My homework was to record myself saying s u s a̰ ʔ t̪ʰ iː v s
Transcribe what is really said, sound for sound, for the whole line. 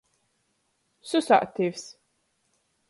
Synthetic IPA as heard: s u s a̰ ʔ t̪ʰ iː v s